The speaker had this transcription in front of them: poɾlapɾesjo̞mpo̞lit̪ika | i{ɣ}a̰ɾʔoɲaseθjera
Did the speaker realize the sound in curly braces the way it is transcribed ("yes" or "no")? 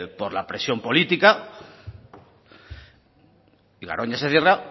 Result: yes